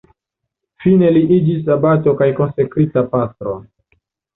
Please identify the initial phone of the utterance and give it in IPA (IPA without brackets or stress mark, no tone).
f